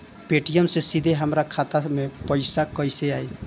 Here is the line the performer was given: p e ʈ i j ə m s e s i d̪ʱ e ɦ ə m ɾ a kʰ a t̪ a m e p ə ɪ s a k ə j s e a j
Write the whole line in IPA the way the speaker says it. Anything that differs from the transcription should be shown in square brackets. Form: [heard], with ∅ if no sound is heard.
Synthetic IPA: p e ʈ i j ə m s e s i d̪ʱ e ɦ ə m ɾ a kʰ a t̪ a m e p ə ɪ s a k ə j s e a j